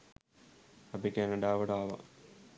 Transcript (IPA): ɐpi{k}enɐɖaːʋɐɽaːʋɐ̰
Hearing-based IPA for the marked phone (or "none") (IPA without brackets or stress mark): k